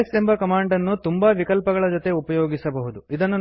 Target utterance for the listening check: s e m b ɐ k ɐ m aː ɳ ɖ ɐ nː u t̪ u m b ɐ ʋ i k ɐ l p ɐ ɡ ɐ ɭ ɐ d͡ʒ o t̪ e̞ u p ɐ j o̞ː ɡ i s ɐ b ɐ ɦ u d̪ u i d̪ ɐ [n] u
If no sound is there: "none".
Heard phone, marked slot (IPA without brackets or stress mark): nː